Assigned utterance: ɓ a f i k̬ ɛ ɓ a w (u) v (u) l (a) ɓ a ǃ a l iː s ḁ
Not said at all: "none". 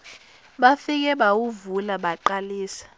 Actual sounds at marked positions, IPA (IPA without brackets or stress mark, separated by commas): u, u, a